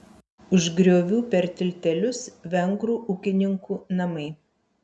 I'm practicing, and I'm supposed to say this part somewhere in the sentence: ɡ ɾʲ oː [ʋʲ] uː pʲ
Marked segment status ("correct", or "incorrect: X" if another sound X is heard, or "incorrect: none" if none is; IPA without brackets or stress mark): correct